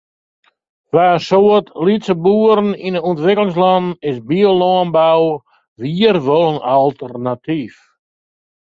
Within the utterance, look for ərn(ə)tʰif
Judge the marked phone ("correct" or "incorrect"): incorrect